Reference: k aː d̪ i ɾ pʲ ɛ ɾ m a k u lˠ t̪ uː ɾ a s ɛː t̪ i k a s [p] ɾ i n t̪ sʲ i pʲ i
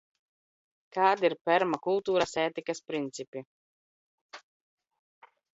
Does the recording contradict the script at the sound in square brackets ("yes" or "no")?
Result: no